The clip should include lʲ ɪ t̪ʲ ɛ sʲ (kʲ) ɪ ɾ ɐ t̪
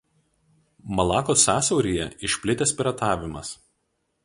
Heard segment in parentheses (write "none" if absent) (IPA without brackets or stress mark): pʲ